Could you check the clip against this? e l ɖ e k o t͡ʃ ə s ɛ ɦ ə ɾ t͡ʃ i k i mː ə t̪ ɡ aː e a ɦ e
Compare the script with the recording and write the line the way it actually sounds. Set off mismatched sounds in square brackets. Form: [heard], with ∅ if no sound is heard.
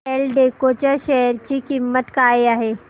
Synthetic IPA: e l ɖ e k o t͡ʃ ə [ʃ] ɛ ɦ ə ɾ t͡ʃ i k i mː ə t̪ [k] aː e a ɦ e